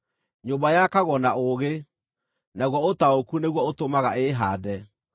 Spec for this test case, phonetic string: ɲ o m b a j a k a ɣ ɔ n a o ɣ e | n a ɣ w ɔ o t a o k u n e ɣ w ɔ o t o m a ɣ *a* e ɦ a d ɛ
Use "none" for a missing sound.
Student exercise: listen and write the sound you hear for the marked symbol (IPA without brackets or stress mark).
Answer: a